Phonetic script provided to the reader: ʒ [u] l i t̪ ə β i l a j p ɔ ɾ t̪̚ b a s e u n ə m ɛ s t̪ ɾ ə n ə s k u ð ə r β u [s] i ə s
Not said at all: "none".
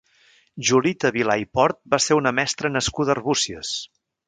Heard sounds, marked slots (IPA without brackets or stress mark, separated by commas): u, s